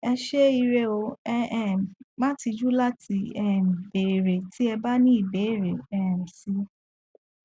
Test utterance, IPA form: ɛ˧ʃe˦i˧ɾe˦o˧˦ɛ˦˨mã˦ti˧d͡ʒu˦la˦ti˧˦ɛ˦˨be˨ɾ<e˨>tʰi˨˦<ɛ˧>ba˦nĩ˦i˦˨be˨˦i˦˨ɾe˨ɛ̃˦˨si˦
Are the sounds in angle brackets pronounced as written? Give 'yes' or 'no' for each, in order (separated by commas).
yes, yes